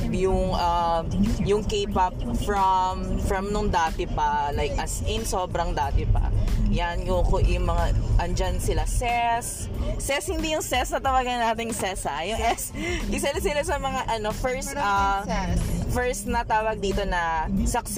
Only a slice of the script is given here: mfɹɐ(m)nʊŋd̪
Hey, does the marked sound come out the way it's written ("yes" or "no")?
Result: yes